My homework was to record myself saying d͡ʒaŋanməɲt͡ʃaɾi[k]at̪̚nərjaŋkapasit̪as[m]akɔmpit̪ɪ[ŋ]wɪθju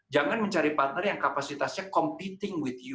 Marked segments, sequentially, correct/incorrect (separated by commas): incorrect, incorrect, correct